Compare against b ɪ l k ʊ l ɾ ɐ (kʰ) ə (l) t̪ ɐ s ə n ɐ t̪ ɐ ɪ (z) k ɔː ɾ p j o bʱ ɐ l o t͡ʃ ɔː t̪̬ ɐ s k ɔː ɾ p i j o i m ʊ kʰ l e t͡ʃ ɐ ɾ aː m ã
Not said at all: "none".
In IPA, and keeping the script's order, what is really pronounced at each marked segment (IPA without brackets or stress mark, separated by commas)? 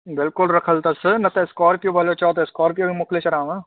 kʰ, l, s